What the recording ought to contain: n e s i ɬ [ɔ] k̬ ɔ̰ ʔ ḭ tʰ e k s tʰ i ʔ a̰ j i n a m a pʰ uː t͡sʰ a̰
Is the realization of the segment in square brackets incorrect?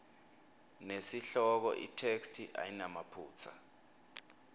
no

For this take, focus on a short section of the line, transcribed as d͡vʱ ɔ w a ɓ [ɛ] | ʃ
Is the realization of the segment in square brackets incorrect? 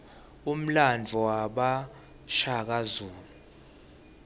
yes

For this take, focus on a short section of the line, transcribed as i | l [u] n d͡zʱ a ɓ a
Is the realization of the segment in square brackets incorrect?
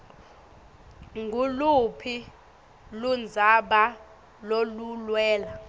no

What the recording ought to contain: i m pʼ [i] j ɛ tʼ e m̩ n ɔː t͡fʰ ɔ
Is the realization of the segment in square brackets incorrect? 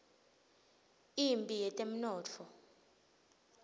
no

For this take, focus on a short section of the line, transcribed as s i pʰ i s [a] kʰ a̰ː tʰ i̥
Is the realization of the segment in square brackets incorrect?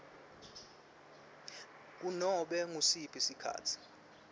yes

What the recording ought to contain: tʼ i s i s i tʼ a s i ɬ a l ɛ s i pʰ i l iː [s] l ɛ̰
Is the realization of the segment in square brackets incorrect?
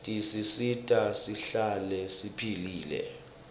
yes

